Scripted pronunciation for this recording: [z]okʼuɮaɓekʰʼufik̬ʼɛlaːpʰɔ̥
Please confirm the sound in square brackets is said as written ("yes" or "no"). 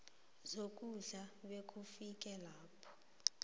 yes